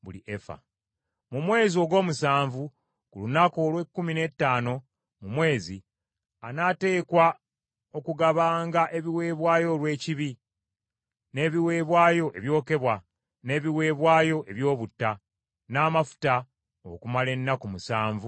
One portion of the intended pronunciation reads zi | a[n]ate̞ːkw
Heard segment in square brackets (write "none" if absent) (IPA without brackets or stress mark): n